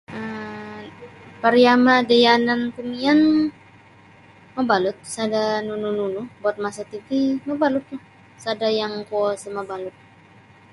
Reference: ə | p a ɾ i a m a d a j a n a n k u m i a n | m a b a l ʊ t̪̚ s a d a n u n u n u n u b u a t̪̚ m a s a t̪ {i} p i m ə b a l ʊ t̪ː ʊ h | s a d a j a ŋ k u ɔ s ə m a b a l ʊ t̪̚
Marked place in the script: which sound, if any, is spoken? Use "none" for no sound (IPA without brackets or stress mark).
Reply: i